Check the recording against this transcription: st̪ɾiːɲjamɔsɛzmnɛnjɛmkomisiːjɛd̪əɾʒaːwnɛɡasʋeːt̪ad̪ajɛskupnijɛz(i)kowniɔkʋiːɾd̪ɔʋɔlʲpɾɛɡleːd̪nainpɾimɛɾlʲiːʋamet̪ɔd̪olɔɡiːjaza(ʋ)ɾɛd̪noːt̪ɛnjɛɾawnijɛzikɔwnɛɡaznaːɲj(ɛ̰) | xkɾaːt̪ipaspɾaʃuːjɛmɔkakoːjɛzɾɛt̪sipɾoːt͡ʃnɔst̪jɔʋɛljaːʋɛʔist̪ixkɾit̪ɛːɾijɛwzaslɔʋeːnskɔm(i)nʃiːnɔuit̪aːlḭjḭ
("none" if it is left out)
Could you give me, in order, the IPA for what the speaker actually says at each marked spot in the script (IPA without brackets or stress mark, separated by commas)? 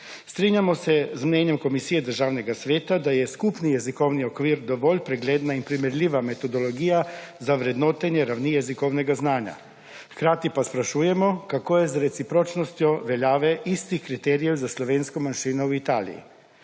i, ʋ, a̰, a